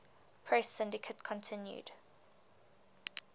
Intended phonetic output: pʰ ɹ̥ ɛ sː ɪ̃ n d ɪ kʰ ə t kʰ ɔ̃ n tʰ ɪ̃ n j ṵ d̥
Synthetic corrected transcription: pʰ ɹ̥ ɛ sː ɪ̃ n d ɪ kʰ ə t kʰ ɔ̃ n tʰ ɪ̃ n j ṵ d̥